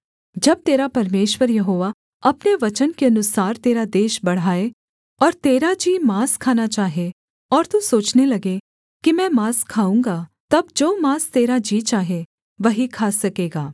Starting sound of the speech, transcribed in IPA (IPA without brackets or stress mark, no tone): d͡ʒ